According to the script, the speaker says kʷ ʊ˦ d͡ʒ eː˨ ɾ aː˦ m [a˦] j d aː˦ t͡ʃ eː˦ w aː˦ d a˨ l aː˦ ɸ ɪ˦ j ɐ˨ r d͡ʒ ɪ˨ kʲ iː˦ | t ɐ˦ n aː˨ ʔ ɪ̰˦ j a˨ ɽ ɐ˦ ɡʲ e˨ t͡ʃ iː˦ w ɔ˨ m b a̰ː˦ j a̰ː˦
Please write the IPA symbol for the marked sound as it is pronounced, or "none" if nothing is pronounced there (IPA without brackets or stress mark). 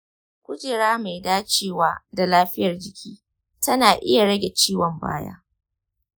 a˨